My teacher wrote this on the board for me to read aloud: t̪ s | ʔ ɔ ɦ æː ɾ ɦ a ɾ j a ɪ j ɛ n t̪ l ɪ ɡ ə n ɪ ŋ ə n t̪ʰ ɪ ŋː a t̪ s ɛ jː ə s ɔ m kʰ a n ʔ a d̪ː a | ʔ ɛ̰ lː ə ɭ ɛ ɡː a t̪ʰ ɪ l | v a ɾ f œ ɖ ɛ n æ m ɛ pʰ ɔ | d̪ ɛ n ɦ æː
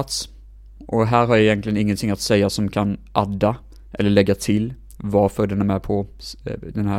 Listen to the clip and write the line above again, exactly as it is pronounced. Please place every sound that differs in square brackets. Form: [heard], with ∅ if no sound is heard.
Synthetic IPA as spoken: t̪ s | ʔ ɔ ɦ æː ɾ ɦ a ɾ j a ɪ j ɛ n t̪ l ɪ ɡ ə n ɪ [ŋː] ə n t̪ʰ ɪ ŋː a t̪ s ɛ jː [a] s ɔ m kʰ a n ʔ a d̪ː a | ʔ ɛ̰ lː ə ɭ ɛ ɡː a t̪ʰ ɪ l | v a ɾ f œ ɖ ɛ n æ m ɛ pʰ ɔ | d̪ ɛ n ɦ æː